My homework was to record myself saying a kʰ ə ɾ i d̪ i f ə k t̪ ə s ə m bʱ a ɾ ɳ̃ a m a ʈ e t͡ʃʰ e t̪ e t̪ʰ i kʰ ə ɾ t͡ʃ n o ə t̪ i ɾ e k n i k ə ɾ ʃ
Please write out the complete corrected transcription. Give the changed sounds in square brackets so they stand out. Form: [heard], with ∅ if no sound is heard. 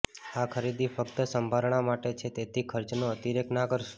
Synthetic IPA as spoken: a kʰ ə ɾ i d̪ i f ə k t̪ ə s ə m bʱ a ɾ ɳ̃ a m a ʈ e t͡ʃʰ e t̪ e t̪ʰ i kʰ ə ɾ t͡ʃ n o ə t̪ i ɾ e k n [a] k ə ɾ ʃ